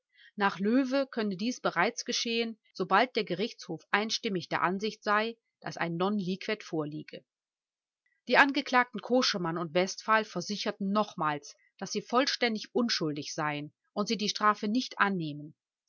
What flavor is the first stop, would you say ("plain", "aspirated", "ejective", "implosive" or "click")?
aspirated